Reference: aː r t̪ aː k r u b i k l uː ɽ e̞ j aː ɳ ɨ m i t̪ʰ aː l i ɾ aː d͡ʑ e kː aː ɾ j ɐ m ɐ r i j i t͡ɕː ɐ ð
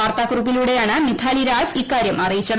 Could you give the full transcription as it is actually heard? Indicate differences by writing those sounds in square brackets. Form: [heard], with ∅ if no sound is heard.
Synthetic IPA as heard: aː r t̪ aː k r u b i [∅] l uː ɽ e̞ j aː ɳ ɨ m i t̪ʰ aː l i ɾ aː d͡ʑ [i] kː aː ɾ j ɐ m ɐ r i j i t͡ɕː ɐ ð